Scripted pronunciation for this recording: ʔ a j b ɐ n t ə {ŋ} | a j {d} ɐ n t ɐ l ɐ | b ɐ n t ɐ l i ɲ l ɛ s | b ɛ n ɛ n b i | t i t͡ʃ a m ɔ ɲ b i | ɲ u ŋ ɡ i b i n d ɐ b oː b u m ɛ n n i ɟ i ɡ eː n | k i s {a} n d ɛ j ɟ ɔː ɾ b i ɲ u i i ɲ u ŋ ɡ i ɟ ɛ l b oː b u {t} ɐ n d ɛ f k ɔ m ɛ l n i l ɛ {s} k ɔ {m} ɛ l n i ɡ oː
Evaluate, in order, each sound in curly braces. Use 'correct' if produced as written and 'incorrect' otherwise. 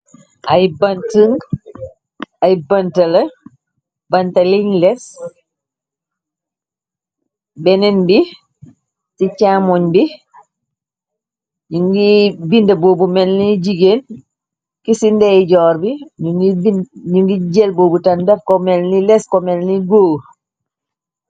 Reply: correct, incorrect: b, incorrect: i, correct, correct, correct

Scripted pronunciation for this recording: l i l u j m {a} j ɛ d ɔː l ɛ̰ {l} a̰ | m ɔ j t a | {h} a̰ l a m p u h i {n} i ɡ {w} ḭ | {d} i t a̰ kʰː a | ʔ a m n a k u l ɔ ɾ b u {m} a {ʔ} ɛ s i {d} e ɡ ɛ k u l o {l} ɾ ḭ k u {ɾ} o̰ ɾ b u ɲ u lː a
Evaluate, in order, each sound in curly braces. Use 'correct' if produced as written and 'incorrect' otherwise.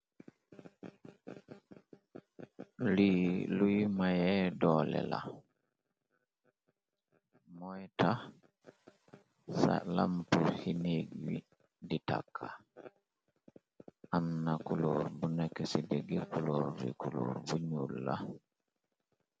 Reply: correct, correct, incorrect: s, correct, correct, correct, incorrect: n, incorrect: k, correct, incorrect: ɾ, incorrect: l

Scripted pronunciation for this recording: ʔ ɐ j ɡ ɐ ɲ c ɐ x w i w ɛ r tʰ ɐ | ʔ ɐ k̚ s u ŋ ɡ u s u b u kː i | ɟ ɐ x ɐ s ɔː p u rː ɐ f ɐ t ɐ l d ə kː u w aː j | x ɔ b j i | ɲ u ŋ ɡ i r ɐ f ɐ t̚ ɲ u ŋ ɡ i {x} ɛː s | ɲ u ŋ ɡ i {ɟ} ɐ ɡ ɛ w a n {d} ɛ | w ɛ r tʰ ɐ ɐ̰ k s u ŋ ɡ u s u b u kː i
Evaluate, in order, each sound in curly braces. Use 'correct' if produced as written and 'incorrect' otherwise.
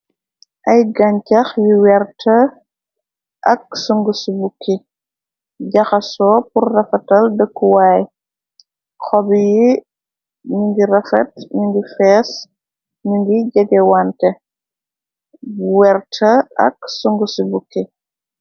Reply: incorrect: f, correct, incorrect: t

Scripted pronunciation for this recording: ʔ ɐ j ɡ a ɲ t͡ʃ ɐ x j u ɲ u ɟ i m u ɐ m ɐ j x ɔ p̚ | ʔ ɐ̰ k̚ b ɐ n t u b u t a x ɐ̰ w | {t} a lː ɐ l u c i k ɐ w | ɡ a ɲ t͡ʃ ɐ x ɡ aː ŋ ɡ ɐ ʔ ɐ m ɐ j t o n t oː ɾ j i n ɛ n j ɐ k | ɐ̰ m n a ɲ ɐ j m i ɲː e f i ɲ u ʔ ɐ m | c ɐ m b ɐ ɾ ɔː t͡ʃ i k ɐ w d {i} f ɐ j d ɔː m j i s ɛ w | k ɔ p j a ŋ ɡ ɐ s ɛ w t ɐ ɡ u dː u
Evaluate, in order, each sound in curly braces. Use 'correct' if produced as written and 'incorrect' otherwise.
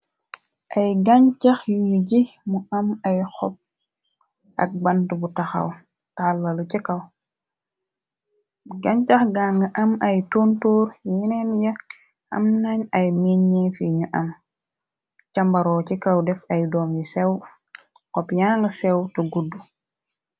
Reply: correct, incorrect: ɛ

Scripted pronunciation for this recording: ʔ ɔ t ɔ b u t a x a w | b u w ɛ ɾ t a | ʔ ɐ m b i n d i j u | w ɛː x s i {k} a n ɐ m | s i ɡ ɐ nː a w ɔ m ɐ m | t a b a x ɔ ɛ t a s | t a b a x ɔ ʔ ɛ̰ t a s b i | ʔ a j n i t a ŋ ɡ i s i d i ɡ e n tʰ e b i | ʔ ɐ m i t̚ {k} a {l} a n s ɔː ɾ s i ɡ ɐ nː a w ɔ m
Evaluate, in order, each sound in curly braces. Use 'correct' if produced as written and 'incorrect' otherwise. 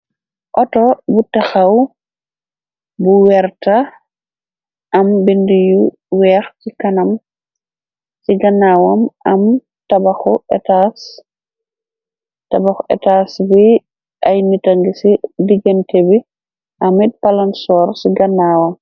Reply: correct, incorrect: p, correct

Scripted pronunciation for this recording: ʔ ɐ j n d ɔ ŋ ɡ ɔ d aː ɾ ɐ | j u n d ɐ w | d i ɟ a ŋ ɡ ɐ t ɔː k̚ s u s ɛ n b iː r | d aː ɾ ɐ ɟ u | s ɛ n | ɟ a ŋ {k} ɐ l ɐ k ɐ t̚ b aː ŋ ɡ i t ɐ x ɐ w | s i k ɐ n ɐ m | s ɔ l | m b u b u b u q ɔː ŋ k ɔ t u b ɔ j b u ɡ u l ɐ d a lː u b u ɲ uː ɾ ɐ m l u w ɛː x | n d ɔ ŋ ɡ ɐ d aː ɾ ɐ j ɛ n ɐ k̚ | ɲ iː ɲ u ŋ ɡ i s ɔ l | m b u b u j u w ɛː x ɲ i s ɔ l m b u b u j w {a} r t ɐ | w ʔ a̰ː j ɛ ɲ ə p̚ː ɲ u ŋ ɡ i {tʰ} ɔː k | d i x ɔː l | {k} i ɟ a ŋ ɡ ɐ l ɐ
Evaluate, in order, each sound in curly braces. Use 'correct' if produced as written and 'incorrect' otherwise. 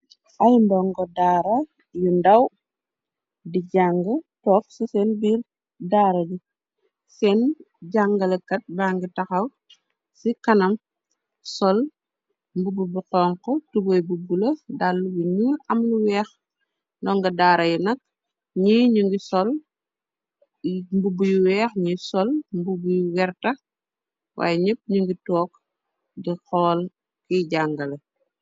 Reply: incorrect: ɡ, incorrect: ɛ, incorrect: t, correct

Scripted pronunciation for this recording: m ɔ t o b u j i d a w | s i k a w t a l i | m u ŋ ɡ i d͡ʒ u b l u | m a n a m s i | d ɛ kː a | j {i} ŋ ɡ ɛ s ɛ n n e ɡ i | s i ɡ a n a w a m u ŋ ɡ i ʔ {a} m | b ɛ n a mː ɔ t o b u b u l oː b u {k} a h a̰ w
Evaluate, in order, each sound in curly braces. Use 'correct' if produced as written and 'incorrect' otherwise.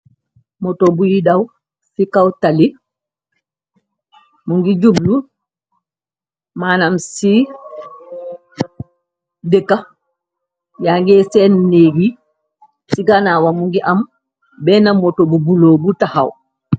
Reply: incorrect: a, correct, incorrect: t

